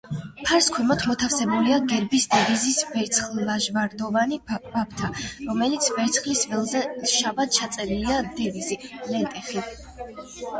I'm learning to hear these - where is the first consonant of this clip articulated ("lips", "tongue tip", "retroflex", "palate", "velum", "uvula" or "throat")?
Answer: lips